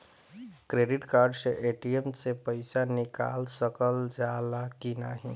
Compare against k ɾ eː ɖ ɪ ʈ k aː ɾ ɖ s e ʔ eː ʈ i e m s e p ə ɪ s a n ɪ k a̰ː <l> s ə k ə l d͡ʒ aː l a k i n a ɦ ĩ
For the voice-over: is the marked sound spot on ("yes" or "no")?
yes